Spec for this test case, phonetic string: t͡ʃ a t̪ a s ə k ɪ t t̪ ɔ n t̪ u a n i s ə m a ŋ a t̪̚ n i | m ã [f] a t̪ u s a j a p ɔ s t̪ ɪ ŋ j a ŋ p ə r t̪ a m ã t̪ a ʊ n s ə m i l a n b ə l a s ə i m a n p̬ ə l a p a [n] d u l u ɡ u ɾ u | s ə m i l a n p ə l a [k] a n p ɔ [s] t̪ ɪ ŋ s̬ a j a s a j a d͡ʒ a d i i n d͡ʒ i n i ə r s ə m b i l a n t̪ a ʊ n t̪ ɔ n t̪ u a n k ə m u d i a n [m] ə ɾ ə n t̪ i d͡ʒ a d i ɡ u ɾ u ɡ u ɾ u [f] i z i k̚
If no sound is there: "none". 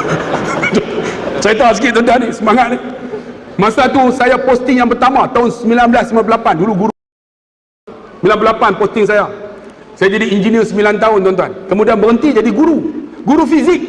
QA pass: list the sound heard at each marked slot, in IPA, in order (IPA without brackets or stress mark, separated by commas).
s, n, p, s, b, f